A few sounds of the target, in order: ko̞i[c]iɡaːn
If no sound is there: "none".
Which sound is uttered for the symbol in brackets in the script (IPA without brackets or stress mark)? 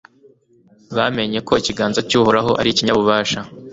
c